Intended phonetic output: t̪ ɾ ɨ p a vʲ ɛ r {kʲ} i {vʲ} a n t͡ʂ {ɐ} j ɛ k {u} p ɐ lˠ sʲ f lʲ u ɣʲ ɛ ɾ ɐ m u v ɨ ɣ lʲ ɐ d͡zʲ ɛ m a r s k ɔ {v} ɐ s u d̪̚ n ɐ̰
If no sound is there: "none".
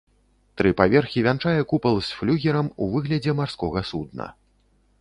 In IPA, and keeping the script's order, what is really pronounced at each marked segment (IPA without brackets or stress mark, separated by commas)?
xʲ, vʲ, a, u, ɣ